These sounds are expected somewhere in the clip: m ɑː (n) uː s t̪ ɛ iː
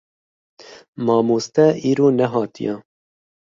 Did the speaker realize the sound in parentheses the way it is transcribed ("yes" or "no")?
no